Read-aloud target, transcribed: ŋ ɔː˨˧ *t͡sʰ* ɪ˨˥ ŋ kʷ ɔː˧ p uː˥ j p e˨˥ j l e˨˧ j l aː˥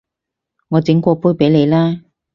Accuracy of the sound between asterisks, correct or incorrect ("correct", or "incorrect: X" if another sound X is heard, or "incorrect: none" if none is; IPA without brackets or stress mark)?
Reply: incorrect: t͡s